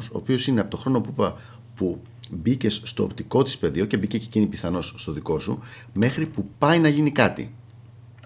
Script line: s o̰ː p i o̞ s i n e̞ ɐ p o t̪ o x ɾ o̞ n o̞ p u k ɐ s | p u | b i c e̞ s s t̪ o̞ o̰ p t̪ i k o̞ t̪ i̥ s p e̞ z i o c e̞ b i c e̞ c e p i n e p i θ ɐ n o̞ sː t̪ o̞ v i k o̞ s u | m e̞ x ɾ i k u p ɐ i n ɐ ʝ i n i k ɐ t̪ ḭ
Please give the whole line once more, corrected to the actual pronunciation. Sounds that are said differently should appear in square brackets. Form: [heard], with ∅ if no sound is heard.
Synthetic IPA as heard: s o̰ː p i o̞ s i n e̞ ɐ p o t̪ o x ɾ o̞ n o̞ p u [p] ɐ [∅] | p u | b i c e̞ s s t̪ o̞ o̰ p t̪ i k o̞ t̪ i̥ s p e̞ [ð] i o c e̞ b i c e̞ c e [c] i n [i] p i θ ɐ n o̞ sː t̪ o̞ [ð] i k o̞ s u | m e̞ x ɾ i [p] u p ɐ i n ɐ ʝ i n i k ɐ t̪ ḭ